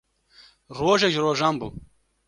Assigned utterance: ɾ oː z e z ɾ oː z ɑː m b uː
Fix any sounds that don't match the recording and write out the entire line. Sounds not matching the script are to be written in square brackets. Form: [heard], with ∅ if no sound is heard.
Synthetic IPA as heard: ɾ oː [ʒ] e [ʒ] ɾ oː [ʒ] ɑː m b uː